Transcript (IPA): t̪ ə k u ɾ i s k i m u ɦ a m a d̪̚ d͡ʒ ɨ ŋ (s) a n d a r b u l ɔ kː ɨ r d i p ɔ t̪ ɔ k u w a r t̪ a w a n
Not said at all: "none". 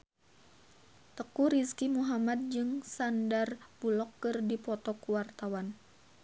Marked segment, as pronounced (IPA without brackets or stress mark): s